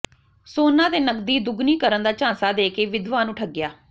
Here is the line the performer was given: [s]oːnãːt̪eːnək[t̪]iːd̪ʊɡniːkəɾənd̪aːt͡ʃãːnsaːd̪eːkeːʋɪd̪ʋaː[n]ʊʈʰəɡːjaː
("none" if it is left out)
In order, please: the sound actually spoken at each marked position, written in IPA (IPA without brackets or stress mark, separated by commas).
s, d̪, n